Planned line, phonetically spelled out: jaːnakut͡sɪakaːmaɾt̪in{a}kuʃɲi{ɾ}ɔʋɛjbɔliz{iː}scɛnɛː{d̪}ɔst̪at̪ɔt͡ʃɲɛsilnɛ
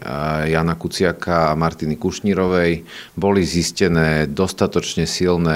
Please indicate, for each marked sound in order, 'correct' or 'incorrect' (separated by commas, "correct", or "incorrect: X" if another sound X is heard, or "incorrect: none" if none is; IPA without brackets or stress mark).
incorrect: i, correct, incorrect: i, correct